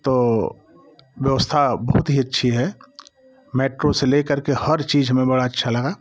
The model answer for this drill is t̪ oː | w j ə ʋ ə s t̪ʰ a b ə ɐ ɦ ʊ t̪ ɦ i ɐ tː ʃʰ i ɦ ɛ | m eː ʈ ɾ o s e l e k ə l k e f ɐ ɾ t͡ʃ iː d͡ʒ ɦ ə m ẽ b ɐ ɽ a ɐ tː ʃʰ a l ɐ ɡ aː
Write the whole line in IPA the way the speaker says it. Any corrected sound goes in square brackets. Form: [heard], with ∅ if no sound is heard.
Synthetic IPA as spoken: t̪ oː | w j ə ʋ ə s t̪ʰ a b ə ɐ ɦ ʊ t̪ ɦ i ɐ tː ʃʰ i ɦ ɛ | m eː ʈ ɾ o s e l e k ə [ɾ] k e [h] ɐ ɾ t͡ʃ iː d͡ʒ ɦ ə m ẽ b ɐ ɽ a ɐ tː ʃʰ a l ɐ ɡ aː